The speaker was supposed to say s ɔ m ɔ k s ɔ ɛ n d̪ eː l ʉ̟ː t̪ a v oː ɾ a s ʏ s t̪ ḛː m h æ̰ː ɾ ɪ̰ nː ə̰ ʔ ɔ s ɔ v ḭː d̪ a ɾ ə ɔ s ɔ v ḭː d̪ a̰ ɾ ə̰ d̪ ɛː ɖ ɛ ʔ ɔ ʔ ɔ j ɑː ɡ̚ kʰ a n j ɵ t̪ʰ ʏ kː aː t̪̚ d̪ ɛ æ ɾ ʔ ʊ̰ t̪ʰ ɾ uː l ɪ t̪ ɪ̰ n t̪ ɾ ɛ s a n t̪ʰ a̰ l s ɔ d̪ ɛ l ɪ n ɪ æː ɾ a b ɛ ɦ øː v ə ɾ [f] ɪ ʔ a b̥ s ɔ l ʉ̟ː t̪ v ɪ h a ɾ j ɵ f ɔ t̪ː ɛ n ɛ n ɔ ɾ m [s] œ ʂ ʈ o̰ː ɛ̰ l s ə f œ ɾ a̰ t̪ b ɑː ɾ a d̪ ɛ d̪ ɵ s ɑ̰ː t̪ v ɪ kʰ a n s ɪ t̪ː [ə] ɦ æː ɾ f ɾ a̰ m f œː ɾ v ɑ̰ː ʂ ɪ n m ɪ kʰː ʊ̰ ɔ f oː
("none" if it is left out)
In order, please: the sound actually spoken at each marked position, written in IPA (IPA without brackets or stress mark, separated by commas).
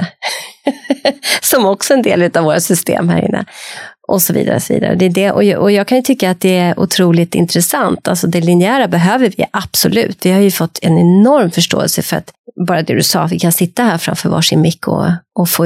v, f, a